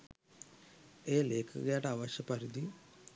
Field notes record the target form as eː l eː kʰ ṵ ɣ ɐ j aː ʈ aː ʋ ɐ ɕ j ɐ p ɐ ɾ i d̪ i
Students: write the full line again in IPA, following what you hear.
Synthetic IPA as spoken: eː l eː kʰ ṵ ɣ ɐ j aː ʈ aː ʋ ɐ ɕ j ɐ p ɐ ɾ i d̪ i